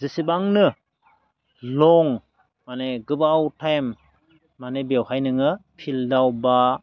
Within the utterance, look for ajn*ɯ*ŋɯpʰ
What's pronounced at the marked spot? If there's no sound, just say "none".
ɯ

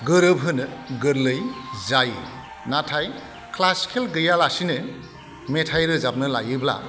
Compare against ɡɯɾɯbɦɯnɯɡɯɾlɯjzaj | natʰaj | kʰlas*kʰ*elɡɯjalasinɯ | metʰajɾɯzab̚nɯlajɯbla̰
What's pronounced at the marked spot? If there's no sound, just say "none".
kʰ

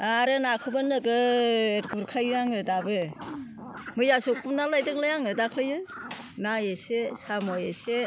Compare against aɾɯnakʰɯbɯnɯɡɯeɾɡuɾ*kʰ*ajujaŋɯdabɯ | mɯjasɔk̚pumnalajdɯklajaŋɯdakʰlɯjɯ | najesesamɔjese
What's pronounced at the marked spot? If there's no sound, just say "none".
kʰ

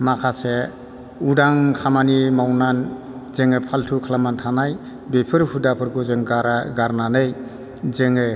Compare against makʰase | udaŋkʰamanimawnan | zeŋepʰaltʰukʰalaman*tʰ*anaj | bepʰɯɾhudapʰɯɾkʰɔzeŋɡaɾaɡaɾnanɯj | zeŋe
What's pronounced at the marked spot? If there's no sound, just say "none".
tʰ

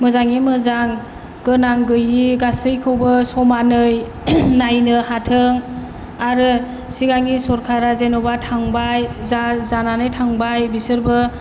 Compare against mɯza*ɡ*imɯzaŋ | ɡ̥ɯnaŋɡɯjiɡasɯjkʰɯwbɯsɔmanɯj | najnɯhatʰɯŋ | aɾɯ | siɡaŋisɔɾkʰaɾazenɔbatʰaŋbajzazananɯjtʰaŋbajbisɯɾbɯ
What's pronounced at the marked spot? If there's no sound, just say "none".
ŋ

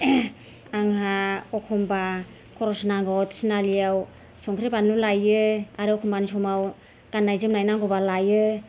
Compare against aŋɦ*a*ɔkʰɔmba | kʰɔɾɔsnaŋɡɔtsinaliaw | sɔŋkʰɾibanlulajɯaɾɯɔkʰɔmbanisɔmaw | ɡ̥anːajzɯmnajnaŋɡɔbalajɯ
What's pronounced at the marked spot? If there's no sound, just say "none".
a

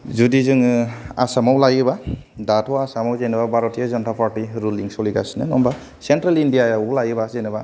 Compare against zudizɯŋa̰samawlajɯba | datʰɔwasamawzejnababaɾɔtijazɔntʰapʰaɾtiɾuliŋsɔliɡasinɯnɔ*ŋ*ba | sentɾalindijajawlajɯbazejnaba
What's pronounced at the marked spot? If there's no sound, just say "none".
m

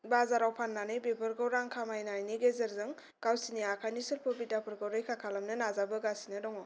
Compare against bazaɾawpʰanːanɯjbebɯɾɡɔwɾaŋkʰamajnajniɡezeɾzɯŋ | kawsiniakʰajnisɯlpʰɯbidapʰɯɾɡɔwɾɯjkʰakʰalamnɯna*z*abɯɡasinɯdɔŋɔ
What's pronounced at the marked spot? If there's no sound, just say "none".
z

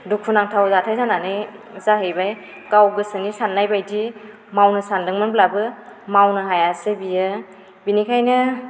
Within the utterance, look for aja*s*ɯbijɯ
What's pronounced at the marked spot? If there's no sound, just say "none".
s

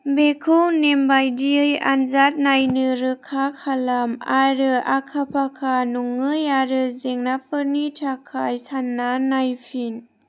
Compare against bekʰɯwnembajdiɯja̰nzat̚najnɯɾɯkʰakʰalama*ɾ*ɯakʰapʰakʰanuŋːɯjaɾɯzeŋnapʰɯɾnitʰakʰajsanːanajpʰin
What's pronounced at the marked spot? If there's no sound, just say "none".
ɾ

